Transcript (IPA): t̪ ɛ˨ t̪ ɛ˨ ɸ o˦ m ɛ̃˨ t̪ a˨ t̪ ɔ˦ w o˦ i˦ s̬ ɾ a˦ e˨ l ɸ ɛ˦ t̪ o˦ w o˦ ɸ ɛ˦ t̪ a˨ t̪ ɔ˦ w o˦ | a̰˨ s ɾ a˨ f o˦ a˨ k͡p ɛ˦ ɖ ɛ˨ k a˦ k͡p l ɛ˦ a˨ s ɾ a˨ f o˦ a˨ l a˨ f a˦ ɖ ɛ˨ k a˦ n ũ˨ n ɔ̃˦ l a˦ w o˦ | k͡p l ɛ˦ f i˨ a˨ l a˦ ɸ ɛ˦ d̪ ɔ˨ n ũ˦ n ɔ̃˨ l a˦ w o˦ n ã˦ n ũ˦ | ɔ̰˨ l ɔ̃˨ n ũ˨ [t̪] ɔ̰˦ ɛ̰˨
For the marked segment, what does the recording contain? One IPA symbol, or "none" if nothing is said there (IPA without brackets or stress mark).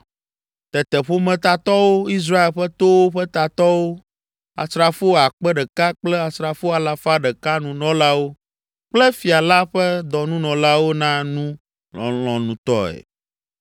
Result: t̪